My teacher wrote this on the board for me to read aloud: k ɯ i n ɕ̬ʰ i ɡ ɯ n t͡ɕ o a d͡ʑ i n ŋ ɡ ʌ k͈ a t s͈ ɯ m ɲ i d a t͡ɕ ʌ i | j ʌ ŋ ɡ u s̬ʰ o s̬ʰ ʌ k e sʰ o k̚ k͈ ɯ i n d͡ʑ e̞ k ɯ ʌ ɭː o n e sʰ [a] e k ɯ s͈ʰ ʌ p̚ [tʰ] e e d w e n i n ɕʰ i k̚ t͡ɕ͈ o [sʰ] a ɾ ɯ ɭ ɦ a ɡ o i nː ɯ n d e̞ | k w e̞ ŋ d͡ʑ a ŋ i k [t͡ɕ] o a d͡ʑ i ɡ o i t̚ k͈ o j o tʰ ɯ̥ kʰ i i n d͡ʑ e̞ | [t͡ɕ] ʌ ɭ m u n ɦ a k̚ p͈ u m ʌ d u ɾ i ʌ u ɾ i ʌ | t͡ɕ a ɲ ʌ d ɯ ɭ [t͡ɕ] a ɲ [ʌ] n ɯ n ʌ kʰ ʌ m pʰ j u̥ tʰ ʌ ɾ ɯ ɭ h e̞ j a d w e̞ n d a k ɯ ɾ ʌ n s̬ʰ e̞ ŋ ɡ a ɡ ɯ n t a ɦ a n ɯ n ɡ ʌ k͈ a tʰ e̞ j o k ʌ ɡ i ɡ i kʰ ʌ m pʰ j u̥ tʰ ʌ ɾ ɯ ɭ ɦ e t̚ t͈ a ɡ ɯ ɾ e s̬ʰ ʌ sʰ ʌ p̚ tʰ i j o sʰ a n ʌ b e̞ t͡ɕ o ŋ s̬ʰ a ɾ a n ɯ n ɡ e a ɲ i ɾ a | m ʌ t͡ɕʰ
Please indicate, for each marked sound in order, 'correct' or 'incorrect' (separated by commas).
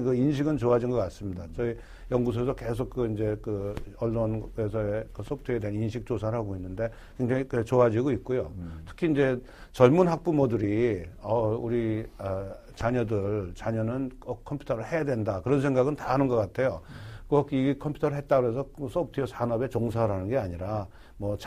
incorrect, correct, correct, correct, correct, correct, correct